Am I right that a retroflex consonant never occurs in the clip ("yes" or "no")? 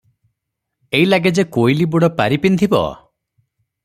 no